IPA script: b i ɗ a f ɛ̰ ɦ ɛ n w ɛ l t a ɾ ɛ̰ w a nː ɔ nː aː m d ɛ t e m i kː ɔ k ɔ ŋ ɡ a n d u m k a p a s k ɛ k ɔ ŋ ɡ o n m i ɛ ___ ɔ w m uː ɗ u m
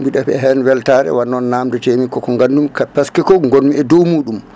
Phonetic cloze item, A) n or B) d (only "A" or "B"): B